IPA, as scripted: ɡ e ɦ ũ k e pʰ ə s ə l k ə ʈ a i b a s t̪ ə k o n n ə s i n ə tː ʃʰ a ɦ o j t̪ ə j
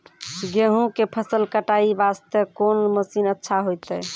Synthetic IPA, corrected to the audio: ɡ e ɦ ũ k e pʰ ə s ə l k ə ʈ a i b a s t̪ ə k o n m ə s i n ə tː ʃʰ a ɦ o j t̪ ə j